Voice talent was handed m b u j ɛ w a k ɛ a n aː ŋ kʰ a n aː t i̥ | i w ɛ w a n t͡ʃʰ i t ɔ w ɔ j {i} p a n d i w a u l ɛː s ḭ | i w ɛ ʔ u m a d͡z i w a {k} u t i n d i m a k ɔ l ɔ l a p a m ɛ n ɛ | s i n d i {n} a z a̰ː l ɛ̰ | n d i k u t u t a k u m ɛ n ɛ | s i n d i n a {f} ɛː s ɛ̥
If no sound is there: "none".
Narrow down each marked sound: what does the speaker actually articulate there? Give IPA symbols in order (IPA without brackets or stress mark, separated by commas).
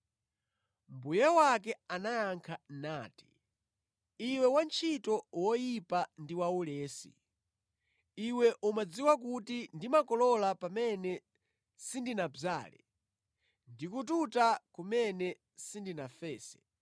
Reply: i, k, n, f